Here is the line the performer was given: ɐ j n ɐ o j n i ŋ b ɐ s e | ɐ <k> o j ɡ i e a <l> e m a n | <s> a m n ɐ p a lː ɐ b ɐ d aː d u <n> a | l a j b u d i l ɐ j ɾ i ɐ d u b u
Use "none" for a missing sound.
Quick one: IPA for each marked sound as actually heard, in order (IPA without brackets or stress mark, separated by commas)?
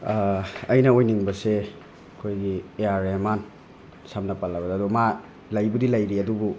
kʰ, ɾ, s, m